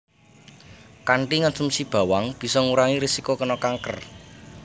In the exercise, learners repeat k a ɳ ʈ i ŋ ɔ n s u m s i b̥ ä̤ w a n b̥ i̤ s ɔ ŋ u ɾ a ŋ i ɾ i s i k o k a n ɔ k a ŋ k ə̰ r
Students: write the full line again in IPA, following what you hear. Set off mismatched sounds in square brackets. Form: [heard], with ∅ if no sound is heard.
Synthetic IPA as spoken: k a ɳ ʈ i ŋ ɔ n s u m s i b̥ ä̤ w a [ŋ] b̥ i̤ s ɔ ŋ u ɾ a ŋ i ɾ i s i k o k [ə] n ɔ k a ŋ k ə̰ r